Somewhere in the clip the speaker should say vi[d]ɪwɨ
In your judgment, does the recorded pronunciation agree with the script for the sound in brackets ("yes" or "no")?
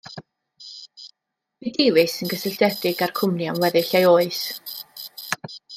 yes